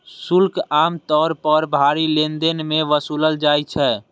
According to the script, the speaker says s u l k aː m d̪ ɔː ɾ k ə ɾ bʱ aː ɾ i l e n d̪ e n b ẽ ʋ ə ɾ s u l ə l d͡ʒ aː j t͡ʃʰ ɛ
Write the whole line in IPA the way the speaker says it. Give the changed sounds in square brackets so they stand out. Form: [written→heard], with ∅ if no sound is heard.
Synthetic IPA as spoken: s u l k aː m [d̪→t̪] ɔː ɾ [k→p] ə ɾ bʱ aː ɾ i l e n d̪ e n [b→m] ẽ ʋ ə [ɾ→∅] s u l ə l d͡ʒ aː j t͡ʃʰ ɛ